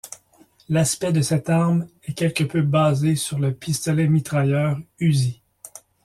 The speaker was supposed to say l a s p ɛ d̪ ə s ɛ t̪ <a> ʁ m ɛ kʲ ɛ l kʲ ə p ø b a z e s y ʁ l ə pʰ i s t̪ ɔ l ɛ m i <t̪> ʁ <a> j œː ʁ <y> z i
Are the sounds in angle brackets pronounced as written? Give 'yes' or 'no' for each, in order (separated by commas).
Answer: yes, yes, yes, yes